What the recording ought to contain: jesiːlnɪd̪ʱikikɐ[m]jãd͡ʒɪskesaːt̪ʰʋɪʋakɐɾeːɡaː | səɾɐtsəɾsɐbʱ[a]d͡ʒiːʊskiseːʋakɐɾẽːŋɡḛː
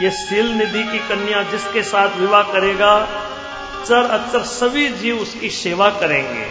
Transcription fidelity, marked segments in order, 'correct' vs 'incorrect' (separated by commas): incorrect, incorrect